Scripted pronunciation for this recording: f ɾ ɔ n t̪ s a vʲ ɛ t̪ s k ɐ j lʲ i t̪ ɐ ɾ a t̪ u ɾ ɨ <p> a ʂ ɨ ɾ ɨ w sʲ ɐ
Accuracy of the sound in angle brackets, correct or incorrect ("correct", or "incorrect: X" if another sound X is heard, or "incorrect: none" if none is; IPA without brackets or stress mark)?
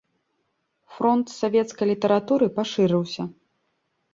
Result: correct